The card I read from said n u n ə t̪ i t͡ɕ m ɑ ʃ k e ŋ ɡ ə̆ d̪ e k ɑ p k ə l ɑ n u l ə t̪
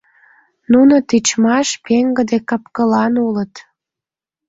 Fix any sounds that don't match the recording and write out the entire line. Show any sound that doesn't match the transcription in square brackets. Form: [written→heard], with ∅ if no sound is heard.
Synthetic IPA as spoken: n u n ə t̪ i t͡ɕ m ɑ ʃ [k→p] e ŋ ɡ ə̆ d̪ e k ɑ p k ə l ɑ n u l ə t̪